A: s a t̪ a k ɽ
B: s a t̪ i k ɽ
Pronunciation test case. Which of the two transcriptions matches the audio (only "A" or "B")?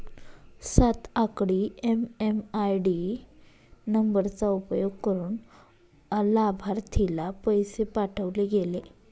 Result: A